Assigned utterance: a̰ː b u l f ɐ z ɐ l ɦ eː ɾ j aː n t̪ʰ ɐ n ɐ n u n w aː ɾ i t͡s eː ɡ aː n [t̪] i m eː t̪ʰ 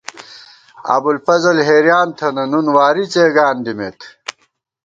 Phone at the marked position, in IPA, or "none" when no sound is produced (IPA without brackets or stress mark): d̪